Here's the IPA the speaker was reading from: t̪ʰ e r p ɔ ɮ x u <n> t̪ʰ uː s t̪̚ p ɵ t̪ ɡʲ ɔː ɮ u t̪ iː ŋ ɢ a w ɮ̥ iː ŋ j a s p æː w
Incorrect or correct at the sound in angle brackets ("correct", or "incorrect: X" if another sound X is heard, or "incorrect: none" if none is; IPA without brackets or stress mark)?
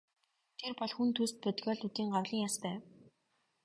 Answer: correct